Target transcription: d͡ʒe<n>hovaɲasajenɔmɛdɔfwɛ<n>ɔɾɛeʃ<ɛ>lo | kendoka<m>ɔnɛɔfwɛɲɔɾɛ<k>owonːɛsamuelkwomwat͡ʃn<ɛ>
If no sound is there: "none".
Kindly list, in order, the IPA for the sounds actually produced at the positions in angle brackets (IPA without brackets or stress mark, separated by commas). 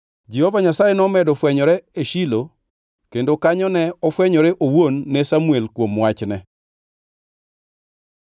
none, ɲ, i, ɲ, ʔ, ɛ